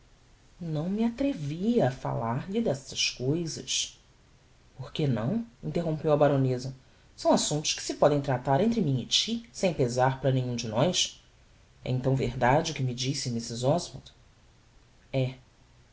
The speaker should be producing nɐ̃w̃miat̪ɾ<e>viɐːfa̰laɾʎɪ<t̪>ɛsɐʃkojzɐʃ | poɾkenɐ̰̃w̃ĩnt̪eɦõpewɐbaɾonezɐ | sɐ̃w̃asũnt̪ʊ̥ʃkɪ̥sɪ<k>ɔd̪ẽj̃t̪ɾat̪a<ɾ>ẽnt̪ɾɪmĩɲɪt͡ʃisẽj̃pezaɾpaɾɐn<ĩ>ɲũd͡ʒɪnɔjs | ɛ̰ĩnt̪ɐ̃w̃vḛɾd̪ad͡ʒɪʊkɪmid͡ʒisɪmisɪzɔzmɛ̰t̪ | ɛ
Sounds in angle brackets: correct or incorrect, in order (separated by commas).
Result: correct, incorrect, incorrect, correct, incorrect